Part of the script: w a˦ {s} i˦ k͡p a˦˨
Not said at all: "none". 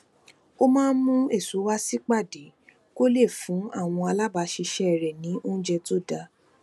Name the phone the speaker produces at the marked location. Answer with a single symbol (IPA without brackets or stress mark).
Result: s